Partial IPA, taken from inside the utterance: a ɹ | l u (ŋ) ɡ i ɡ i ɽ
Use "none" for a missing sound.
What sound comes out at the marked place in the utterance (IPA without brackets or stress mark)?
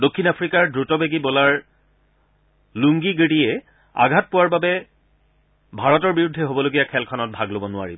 ŋ